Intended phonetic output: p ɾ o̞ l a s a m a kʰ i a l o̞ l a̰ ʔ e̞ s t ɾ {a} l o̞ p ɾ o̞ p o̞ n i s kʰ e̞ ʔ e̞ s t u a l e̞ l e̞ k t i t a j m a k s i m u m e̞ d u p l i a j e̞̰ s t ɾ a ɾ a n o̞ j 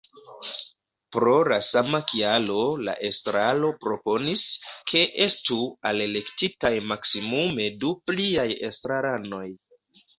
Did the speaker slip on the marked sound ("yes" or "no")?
no